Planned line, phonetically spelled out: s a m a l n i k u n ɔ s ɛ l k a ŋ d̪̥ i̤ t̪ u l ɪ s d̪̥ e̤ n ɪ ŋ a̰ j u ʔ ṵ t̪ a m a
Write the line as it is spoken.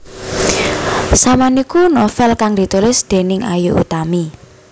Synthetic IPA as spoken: s a m a n i k u n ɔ f ɛ l k a ŋ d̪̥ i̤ t̪ u l ɪ s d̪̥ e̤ n ɪ ŋ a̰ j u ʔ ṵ t̪ a m i